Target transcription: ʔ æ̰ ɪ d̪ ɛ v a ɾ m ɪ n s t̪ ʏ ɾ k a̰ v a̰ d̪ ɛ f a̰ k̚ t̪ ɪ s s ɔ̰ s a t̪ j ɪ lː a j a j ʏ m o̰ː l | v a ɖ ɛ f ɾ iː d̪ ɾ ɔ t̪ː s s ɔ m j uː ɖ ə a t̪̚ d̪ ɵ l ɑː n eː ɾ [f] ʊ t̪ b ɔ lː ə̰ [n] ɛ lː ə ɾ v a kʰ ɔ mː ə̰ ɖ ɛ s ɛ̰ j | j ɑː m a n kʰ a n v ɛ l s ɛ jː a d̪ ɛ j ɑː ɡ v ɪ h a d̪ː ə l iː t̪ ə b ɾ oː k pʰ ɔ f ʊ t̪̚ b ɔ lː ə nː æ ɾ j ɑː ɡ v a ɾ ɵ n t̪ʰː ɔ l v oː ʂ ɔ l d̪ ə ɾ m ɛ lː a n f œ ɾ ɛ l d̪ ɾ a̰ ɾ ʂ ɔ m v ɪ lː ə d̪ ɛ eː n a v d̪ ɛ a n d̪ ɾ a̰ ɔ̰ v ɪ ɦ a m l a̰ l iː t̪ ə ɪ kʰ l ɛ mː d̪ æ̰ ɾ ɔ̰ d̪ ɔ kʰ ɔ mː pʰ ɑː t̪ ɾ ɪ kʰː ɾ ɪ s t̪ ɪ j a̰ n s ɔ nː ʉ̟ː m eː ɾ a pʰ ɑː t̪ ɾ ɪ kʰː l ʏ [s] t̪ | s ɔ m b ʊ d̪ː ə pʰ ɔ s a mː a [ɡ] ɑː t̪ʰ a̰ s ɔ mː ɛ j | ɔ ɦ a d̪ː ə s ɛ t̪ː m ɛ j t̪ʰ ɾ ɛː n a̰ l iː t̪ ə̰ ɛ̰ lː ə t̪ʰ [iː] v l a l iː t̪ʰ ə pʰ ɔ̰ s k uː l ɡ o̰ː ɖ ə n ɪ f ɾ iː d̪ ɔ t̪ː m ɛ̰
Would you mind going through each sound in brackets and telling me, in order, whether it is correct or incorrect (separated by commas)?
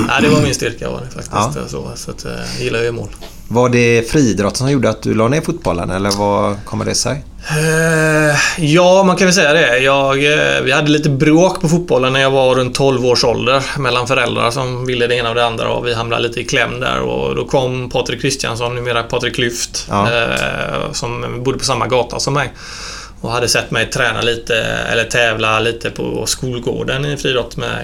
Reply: correct, correct, incorrect, correct, incorrect